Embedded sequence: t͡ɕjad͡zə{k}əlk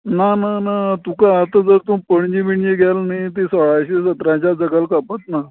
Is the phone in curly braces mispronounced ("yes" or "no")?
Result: yes